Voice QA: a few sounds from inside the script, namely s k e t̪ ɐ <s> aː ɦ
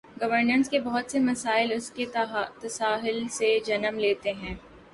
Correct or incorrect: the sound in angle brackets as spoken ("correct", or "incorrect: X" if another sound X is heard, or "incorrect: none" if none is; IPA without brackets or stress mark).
correct